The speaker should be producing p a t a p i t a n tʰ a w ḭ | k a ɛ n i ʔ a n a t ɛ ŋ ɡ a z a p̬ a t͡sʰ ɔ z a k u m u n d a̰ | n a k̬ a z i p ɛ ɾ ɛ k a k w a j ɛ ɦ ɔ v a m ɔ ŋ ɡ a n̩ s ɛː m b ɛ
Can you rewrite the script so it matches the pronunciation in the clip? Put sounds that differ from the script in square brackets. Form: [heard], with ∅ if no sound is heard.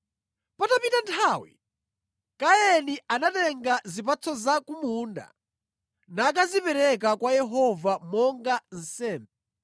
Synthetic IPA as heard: p a t a p i t a n tʰ a w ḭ | k a ɛ n i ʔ a n a t ɛ ŋ ɡ a z [i] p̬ a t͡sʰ ɔ z a k u m u n d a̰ | n a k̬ a z i p ɛ ɾ ɛ k a k w a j ɛ ɦ ɔ v a m ɔ ŋ ɡ a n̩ s ɛː m b ɛ